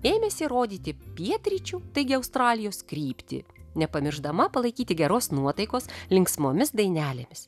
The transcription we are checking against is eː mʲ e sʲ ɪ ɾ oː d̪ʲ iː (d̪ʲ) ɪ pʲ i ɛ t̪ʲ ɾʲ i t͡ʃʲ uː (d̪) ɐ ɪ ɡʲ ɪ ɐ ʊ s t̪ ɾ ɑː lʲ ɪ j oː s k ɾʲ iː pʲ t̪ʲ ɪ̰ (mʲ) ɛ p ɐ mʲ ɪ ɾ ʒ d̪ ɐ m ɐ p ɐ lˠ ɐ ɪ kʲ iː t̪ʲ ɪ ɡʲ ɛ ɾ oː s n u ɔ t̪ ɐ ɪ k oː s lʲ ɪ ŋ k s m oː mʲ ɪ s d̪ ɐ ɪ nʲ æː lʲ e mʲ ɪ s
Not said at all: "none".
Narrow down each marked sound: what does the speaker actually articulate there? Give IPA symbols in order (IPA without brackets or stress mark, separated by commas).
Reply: t̪ʲ, t̪, nʲ